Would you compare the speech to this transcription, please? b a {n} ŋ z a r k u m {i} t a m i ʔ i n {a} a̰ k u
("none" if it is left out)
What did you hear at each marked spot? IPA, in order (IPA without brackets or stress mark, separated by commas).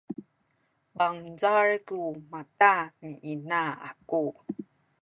none, a, a